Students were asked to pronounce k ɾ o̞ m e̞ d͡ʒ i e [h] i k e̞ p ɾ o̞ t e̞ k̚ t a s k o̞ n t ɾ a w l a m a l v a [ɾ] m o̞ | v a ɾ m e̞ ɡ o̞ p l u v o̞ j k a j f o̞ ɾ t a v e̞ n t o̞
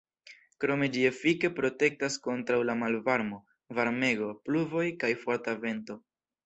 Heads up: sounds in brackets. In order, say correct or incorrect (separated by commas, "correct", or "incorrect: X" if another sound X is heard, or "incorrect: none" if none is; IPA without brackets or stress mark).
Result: incorrect: f, correct